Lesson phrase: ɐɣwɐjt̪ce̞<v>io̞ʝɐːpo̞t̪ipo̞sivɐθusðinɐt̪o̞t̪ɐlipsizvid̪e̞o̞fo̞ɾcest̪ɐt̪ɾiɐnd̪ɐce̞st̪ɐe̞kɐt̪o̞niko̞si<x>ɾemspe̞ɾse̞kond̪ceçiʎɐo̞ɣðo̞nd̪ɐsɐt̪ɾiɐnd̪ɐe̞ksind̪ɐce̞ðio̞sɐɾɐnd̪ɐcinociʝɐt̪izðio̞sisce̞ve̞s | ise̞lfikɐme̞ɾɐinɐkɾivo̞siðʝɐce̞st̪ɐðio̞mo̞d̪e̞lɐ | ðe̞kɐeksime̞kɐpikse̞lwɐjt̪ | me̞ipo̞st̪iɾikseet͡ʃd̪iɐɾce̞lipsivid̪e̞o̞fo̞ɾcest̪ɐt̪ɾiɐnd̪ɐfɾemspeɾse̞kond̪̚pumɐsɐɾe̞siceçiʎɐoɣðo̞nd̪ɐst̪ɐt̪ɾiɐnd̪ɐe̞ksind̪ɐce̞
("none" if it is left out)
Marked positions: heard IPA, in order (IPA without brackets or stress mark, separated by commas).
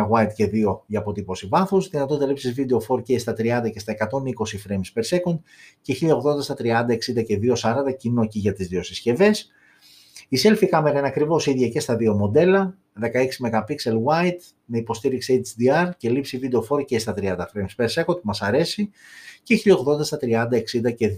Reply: ð, f